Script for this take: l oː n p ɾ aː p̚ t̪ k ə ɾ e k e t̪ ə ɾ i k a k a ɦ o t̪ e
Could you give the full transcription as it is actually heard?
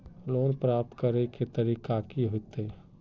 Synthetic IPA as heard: l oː n p ɾ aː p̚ t̪ k ə ɾ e k e t̪ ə ɾ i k a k i ɦ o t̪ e